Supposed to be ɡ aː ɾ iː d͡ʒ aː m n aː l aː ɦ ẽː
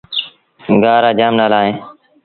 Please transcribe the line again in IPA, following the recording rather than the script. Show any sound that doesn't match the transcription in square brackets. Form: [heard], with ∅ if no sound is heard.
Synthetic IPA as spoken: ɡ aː ɾ [aː] d͡ʒ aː m n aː l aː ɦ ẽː